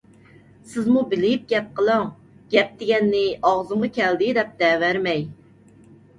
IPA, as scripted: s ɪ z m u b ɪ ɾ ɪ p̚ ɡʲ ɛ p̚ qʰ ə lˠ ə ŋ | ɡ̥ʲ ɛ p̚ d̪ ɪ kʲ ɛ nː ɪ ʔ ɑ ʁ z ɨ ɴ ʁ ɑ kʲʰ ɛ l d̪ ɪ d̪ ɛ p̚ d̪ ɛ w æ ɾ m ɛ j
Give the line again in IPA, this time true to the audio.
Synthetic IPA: s ɪ z m u b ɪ l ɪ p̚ ɡʲ ɛ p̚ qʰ ə lˠ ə ŋ | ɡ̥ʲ ɛ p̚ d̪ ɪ ɡʲ ɛ nː ɪ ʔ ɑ ʁ z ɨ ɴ ʁ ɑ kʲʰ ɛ l d̪ ɪ d̪ ɛ p̚ d̪ ɛ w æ ɾ m ɛ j